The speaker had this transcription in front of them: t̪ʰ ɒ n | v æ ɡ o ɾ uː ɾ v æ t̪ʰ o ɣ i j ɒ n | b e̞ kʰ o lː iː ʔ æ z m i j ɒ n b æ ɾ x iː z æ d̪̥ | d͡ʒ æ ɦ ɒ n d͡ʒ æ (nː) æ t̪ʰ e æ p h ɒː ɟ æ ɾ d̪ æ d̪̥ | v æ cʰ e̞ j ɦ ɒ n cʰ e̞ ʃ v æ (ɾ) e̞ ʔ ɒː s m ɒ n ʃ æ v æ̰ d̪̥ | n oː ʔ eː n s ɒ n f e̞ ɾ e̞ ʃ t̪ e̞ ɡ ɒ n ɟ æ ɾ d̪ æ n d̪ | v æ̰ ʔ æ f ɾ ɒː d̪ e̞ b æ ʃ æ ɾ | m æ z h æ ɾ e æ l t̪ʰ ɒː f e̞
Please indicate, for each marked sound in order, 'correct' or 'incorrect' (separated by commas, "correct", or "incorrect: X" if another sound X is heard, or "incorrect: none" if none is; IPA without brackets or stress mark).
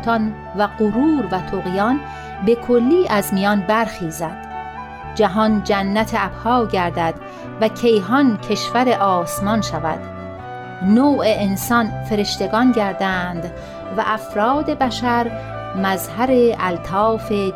correct, correct